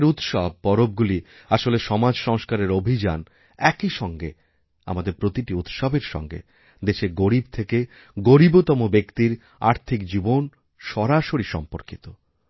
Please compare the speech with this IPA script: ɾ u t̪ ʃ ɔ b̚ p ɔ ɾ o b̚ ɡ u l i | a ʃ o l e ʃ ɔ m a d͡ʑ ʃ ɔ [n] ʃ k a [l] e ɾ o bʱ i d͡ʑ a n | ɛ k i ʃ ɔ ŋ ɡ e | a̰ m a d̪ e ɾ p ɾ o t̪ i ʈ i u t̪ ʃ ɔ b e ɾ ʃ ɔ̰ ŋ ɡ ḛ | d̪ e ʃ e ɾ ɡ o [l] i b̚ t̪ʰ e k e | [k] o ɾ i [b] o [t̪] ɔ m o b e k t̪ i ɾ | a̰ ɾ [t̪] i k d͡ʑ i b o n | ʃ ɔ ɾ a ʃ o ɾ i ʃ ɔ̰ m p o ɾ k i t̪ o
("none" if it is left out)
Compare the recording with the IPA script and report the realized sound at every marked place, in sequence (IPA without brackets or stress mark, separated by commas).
ŋ, ɾ, ɾ, ɡ, b, t̪, t̪ʰ